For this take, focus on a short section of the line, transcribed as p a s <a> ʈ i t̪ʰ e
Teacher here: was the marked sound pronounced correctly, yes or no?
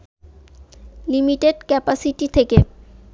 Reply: no